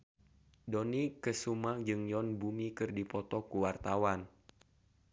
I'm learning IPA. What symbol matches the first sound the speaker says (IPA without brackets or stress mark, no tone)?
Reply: d